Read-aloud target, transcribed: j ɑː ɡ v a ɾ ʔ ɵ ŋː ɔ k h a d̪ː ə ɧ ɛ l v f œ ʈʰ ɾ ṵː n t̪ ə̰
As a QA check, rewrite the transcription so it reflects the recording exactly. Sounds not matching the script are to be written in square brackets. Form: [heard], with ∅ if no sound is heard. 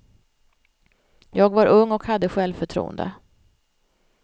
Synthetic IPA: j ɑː ɡ v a ɾ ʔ ɵ ŋː ɔ k h a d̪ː ə ɧ ɛ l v f œ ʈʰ ɾ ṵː n [d̪] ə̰